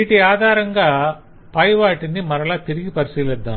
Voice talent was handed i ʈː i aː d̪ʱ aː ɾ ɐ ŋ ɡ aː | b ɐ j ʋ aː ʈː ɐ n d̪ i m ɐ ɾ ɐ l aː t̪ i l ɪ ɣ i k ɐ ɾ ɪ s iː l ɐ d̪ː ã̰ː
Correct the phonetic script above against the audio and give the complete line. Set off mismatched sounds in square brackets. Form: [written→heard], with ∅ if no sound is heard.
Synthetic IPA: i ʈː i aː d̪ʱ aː ɾ ɐ ŋ ɡ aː | [b→p] ɐ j ʋ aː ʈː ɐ n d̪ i m ɐ ɾ ɐ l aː t̪ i [l→ɾ] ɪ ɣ i [k→p] ɐ ɾ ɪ s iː l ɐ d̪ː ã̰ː